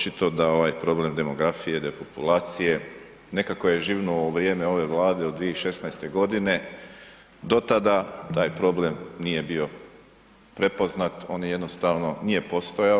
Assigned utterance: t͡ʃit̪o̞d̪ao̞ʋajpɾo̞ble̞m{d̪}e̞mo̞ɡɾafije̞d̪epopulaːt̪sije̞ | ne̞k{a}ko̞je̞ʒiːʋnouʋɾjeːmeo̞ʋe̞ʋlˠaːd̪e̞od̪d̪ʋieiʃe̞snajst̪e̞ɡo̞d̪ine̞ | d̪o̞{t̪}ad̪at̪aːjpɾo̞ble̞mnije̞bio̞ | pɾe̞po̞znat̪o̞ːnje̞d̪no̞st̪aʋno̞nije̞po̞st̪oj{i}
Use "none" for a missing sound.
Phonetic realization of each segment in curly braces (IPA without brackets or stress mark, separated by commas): d̪, a, t̪, a